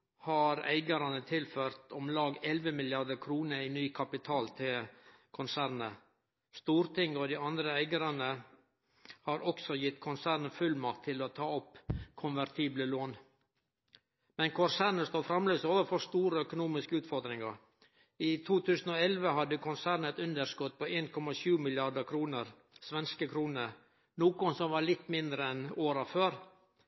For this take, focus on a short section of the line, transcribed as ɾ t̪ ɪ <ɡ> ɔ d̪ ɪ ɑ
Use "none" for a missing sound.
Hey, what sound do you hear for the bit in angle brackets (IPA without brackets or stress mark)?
ŋ